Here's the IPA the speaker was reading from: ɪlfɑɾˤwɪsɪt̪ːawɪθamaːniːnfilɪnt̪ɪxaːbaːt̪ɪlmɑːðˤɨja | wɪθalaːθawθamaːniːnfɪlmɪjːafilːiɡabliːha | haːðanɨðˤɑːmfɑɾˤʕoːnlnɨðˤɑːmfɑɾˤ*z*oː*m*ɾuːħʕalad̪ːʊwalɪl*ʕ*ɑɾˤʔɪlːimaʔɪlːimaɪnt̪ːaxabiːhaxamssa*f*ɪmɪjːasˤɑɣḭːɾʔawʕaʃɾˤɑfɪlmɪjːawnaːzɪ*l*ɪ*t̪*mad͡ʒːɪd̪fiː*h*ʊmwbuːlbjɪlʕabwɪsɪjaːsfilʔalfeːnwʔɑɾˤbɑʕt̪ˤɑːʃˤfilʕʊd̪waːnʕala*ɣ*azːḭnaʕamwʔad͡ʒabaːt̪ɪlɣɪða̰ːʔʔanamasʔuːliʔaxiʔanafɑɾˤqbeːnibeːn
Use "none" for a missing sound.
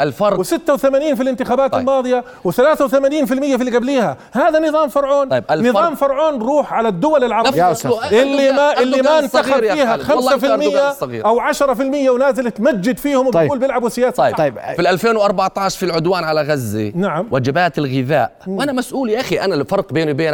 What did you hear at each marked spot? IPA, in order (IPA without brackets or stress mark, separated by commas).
ʕ, n, ʕ, f, l, t̪, h, ɣ